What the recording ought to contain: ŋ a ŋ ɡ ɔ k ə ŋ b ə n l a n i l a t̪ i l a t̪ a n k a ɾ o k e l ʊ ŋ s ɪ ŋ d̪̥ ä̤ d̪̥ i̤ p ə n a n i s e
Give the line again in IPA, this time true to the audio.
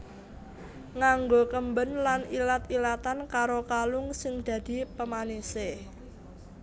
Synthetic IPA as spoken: ŋ a ŋ ɡ o k ə m b ə n l a n i l a t̪ i l a t̪ a n k a ɾ o k a l ʊ ŋ s ɪ ŋ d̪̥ ä̤ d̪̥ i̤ p ə m a n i s e